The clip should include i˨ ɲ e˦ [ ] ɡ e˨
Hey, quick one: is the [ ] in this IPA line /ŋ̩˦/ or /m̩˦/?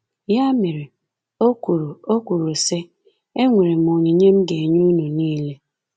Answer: m̩˦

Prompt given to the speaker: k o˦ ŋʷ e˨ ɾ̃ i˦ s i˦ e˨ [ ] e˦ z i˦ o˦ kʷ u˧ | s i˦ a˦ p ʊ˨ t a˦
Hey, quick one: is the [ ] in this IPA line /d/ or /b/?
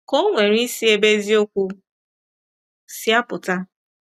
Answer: b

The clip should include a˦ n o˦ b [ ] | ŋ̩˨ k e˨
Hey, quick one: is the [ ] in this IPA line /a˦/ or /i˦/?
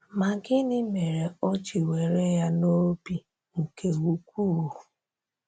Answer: i˦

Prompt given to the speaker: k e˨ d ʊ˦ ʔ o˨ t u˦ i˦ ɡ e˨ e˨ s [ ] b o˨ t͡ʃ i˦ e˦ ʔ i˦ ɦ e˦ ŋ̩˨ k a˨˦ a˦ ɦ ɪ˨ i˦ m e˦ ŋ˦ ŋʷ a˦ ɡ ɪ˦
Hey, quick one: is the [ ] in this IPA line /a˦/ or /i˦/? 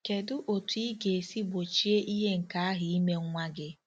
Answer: i˦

